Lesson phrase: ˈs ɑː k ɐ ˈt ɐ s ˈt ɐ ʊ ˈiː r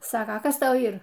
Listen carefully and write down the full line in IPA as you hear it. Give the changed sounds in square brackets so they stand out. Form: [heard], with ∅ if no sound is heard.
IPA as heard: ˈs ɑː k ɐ [ˈk] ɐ s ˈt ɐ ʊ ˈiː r